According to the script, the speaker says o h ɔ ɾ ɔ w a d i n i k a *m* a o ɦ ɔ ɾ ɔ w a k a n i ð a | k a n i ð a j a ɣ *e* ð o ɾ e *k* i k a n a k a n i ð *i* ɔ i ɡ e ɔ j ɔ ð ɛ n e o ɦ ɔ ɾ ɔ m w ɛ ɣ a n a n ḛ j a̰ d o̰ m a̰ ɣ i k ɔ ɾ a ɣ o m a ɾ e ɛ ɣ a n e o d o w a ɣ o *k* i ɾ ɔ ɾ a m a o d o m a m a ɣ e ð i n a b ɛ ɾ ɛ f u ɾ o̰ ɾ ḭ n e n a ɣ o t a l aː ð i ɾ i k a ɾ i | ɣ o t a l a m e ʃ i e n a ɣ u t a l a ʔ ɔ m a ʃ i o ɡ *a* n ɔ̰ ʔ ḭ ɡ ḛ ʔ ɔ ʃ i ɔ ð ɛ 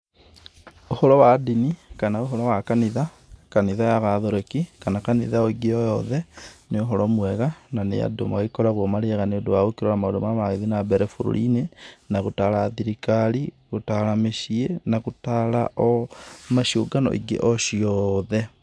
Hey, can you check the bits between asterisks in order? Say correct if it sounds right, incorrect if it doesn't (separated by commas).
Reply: incorrect, incorrect, correct, incorrect, correct, correct